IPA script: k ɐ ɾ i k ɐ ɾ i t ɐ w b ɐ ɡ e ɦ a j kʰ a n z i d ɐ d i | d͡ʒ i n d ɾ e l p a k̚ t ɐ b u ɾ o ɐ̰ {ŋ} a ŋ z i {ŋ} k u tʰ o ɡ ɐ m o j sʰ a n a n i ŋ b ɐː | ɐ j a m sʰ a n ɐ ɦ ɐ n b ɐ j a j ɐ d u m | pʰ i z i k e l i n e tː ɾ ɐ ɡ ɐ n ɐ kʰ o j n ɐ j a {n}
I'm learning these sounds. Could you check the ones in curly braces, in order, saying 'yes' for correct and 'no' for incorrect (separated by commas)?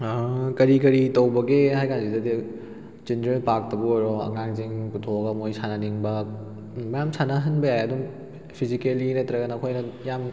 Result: yes, yes, no